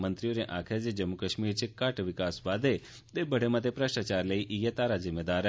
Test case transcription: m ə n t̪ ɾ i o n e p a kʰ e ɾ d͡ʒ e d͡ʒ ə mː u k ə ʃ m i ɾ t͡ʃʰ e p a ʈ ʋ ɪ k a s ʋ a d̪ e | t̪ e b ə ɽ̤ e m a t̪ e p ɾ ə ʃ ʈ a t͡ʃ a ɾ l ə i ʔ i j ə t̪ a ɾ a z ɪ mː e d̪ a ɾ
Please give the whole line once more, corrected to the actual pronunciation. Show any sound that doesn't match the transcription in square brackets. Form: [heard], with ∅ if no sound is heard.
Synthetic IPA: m ə n t̪ ɾ i o n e [ʔ] a kʰ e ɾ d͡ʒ e d͡ʒ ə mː u k ə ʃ m i ɾ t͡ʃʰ e [k] a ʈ ʋ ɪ k a s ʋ a d̪ e | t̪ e b ə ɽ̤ e m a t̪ e p ɾ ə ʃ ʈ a t͡ʃ a ɾ l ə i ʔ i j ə t̪ a ɾ a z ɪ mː e d̪ a ɾ